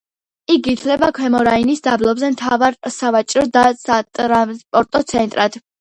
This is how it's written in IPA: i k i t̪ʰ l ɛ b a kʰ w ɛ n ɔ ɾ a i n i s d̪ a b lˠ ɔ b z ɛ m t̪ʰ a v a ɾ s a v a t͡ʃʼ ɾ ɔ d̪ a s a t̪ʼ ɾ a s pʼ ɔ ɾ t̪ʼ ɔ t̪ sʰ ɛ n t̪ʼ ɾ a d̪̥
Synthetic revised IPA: i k i t̪ʰ l ɛ b a kʰ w ɛ m ɔ ɾ a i n i s d̪ a b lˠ ɔ b z ɛ m t̪ʰ a v a ɾ s a v a t͡ʃʼ ɾ ɔ d̪ a s a t̪ʼ ɾ a s pʼ ɔ ɾ t̪ʼ ɔ t̪ sʰ ɛ n t̪ʼ ɾ a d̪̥